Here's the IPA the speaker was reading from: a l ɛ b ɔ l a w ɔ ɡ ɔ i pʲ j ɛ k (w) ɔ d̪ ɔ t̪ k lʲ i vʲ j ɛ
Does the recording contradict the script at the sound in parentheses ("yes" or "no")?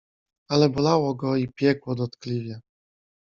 no